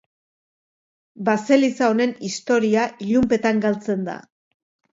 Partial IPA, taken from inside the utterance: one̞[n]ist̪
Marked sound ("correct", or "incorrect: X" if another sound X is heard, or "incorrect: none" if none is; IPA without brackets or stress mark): correct